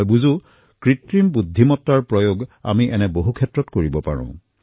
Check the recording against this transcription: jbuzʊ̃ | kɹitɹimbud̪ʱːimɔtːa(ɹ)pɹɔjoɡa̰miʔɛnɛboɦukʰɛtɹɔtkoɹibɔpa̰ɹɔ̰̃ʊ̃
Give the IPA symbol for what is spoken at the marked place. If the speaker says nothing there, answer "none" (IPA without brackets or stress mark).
ɹ